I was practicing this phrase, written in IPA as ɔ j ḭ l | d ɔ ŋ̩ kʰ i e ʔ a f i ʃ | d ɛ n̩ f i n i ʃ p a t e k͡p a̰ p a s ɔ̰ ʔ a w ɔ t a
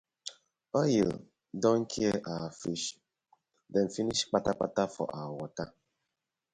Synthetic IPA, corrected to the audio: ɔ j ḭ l | d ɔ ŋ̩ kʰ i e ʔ a f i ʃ | d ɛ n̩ f i n i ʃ k͡p a t a k͡p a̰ t a f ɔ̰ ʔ a w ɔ t a